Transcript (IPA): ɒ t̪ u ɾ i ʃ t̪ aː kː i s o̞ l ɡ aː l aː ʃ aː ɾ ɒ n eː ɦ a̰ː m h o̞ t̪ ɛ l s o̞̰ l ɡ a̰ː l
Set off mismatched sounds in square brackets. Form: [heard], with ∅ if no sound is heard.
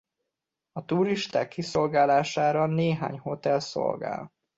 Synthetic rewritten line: ɒ t̪ u ɾ i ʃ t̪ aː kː i s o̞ l ɡ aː l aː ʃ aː ɾ ɒ n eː ɦ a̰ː [ɲ] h o̞ t̪ ɛ l s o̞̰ l ɡ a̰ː l